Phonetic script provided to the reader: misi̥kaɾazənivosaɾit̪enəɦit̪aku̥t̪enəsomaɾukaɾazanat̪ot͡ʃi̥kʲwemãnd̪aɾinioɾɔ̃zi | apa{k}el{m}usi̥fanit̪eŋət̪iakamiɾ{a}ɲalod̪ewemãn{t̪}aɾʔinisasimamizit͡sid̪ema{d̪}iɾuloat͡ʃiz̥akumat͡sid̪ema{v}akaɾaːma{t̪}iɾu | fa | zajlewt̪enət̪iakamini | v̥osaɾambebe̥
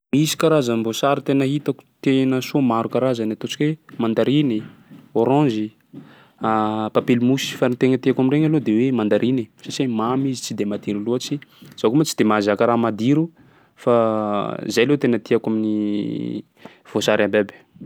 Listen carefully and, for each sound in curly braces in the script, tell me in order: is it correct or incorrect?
incorrect: p, correct, incorrect: e, incorrect: d̪, correct, incorrect: z, incorrect: d̪

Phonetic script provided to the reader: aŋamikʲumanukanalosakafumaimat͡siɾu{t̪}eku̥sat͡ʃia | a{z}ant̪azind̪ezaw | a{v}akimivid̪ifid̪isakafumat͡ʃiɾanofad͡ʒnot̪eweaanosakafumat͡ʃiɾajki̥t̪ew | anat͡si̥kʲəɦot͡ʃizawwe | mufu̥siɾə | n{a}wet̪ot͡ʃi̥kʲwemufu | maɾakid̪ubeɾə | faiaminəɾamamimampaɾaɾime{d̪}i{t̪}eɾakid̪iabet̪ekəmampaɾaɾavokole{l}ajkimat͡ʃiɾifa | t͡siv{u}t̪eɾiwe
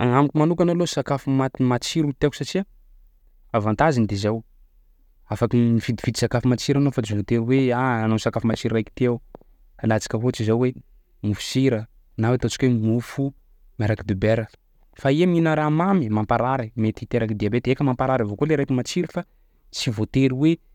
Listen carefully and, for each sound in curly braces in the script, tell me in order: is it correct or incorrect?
correct, incorrect: v, incorrect: f, correct, incorrect: t̪, correct, incorrect: ɾ, incorrect: o

